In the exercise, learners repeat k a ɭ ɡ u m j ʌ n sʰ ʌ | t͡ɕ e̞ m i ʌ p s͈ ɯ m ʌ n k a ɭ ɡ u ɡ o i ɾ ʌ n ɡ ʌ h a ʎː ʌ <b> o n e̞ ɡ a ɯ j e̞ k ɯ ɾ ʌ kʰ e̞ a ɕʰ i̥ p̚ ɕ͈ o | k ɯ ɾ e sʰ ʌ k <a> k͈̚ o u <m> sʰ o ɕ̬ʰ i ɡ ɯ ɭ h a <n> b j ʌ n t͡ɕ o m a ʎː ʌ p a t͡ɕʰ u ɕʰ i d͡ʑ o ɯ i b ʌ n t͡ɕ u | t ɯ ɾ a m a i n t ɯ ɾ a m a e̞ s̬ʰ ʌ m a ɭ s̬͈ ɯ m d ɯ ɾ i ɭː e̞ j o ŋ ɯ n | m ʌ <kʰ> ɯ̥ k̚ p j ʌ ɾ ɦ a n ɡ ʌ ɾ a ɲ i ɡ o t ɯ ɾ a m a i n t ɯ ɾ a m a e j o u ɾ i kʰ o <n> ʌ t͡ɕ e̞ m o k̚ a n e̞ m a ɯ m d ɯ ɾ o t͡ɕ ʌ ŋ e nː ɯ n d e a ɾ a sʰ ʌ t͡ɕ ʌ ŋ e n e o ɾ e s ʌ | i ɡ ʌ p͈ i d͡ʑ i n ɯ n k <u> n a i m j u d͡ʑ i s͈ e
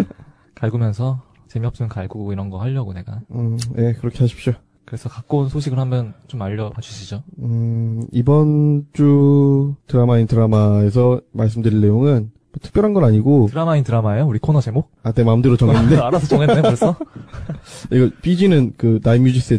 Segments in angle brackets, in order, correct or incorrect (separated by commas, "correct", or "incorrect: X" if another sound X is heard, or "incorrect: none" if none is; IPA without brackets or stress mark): incorrect: ɡ, correct, incorrect: n, incorrect: m, incorrect: tʰ, correct, incorrect: ɯ